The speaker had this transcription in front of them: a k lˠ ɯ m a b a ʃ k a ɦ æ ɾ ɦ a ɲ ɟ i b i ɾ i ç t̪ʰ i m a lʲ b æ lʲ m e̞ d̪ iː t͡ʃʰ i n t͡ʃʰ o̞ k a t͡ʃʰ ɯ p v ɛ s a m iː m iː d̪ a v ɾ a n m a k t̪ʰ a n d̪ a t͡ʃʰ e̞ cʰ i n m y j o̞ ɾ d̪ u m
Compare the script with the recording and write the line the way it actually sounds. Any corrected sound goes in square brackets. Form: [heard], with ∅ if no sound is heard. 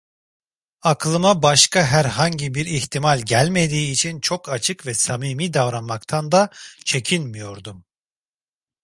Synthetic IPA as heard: a k lˠ ɯ m a b a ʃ k a ɦ æ ɾ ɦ a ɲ ɟ i b i ɾ i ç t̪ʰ i m a lʲ [ɟ] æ lʲ m e̞ d̪ iː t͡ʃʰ i n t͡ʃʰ o̞ k a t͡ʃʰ ɯ [k] v ɛ s a m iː m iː d̪ a v ɾ a n m a k t̪ʰ a n d̪ a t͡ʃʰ e̞ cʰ i n m [i] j o̞ ɾ d̪ u m

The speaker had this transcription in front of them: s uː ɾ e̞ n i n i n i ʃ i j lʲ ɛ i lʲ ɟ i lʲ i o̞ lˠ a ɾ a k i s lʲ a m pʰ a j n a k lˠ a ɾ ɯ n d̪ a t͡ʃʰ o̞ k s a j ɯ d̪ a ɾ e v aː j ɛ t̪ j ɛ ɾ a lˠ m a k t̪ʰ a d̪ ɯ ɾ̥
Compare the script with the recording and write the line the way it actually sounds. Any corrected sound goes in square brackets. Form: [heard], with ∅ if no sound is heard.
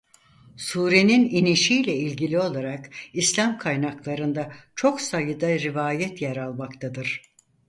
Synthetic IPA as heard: s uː ɾ e̞ n i n i n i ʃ i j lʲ ɛ i lʲ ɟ i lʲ i o̞ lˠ a ɾ a k i s lʲ a m [kʰ] a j n a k lˠ a ɾ ɯ n d̪ a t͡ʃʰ o̞ k s a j ɯ d̪ a ɾ [i] v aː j ɛ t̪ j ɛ ɾ a lˠ m a k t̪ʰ a d̪ ɯ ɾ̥

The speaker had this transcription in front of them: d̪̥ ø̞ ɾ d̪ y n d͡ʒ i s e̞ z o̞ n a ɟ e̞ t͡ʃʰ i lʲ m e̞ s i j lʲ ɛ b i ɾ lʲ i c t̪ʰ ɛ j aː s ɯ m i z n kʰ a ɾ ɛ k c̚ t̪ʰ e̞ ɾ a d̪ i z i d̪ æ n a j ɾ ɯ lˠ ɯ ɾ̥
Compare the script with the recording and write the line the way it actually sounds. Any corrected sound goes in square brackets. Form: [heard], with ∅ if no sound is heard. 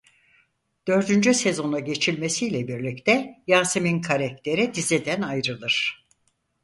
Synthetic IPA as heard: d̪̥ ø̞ ɾ d̪ y n d͡ʒ [y] s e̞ z o̞ n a ɟ e̞ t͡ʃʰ i lʲ m e̞ s i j lʲ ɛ b i ɾ lʲ i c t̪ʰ ɛ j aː s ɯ m i [∅] n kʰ a ɾ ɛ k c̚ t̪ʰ e̞ ɾ [i] d̪ i z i d̪ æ n a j ɾ ɯ lˠ ɯ ɾ̥

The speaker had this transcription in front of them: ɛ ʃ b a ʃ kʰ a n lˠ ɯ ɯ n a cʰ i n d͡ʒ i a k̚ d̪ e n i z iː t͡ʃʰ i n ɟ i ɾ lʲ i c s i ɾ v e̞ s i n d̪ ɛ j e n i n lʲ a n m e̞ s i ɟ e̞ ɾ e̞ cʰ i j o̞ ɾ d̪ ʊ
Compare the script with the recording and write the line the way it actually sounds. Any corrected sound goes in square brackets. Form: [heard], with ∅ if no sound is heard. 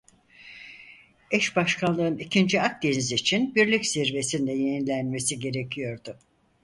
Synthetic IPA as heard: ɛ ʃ b a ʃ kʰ a n lˠ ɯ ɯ n [i] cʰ i n d͡ʒ i a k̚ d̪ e n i z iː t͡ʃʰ i n [b] i ɾ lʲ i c s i ɾ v e̞ s i n d̪ ɛ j e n i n lʲ [æ] n m e̞ s i ɟ e̞ ɾ e̞ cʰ i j o̞ ɾ d̪ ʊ

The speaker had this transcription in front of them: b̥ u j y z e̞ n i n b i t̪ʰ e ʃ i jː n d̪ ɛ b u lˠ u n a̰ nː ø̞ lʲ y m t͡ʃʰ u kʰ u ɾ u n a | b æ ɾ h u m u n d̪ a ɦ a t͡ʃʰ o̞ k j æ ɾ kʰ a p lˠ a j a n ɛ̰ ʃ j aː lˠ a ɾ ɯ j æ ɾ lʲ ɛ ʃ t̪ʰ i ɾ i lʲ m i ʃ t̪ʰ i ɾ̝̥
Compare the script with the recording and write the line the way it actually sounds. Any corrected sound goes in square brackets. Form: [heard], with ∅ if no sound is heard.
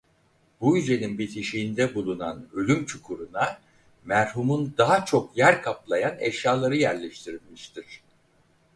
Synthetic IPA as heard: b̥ u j y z e̞ n i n b i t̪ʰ [i] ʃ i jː n d̪ ɛ b u lˠ u n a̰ [n] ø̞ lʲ y m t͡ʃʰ u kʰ u ɾ u n a | [m] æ ɾ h u m u n d̪ a ɦ a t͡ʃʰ o̞ k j æ ɾ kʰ a p lˠ a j a n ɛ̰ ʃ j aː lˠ a ɾ ɯ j æ ɾ lʲ ɛ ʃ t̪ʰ i ɾ i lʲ m i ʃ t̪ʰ i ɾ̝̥

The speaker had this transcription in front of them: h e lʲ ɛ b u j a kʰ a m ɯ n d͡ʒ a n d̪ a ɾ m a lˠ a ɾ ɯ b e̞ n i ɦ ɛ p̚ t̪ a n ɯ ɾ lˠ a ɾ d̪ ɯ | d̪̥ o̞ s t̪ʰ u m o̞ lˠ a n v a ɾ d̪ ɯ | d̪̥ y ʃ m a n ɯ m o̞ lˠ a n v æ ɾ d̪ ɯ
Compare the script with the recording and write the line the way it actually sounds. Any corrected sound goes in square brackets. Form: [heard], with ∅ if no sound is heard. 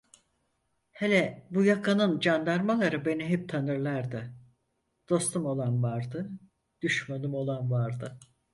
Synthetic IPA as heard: h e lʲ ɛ b u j a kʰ a [n] ɯ n d͡ʒ a n d̪ a ɾ m a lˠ a ɾ ɯ b e̞ n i ɦ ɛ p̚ [t̪ʰ] a n ɯ ɾ lˠ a ɾ d̪ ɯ | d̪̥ o̞ s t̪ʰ u m o̞ lˠ a n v a ɾ d̪ ɯ | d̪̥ y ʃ m a n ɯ m o̞ lˠ a n v [a] ɾ d̪ ɯ

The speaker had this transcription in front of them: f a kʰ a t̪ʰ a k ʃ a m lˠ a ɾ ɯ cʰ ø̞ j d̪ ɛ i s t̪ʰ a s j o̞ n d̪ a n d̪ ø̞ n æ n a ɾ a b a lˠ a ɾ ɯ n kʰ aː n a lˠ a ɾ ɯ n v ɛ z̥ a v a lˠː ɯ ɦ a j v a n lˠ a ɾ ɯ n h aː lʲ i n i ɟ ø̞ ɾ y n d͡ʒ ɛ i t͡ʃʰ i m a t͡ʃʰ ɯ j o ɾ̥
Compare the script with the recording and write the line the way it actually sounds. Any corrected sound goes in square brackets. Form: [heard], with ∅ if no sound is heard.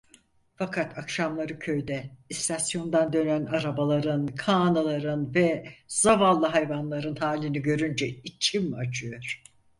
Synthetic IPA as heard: f a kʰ a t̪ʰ a k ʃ a m lˠ a ɾ ɯ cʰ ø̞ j d̪ ɛ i s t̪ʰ a s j o̞ n d̪ a n d̪ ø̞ n æ n a ɾ a b a lˠ a ɾ ɯ n kʰ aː n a lˠ a ɾ ɯ n v ɛ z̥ a v a lˠː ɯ ɦ a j v a n lˠ a ɾ ɯ n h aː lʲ i n i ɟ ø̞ ɾ y n d͡ʒ ɛ i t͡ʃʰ i m a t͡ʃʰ ɯ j o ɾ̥

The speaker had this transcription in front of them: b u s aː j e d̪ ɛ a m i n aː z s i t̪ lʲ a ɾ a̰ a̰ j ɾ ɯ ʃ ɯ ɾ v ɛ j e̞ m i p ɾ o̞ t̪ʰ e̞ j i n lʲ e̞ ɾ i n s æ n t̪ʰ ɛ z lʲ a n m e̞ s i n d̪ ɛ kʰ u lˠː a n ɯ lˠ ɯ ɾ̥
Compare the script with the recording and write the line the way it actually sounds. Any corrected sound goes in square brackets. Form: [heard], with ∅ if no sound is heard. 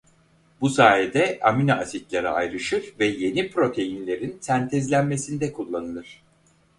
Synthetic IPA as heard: b u s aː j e d̪ ɛ a m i n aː [∅] s i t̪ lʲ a ɾ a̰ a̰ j ɾ ɯ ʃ ɯ ɾ v ɛ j e̞ [n] i p ɾ o̞ t̪ʰ e̞ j i n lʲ e̞ ɾ i n s æ n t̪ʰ ɛ z lʲ [æ] n m e̞ s i n d̪ ɛ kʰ u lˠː a n ɯ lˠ ɯ ɾ̥

